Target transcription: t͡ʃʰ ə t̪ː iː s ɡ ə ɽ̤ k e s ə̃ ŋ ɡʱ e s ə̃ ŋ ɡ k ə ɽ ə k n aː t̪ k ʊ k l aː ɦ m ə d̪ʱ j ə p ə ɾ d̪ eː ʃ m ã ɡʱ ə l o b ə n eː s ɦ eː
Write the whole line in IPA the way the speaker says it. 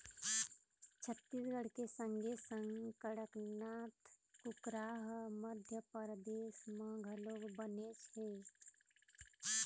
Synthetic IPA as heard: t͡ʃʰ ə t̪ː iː s ɡ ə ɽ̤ k e s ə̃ ŋ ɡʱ e s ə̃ ŋ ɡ k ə ɽ ə k n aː t̪ k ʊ k ɾ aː ɦ m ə d̪ʱ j ə p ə ɾ d̪ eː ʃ m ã ɡʱ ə l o b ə n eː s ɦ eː